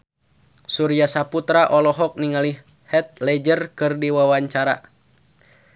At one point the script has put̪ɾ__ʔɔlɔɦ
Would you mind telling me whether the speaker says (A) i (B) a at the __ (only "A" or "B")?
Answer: B